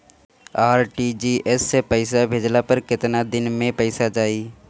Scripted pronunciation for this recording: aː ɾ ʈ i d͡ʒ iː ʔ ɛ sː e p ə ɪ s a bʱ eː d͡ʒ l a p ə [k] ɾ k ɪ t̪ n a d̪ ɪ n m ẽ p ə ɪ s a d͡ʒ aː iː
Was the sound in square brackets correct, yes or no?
no